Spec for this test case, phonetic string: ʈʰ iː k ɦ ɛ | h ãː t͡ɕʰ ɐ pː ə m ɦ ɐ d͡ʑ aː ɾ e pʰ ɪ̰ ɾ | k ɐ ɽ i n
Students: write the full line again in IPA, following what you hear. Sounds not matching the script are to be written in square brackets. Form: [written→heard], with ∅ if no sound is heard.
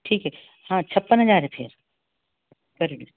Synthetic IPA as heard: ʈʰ iː k ɦ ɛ | h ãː t͡ɕʰ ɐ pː ə [m→n] ɦ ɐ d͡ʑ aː ɾ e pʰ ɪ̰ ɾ | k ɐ [ɽ→ɾ] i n